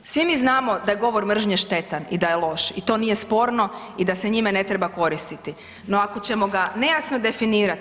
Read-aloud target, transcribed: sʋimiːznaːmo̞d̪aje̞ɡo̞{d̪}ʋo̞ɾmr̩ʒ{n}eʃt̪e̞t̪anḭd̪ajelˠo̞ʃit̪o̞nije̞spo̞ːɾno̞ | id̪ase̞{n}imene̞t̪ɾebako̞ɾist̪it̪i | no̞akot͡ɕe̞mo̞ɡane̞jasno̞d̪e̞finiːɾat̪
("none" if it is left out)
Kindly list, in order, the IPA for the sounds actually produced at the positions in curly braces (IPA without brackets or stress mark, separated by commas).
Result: none, ɲ, ɲ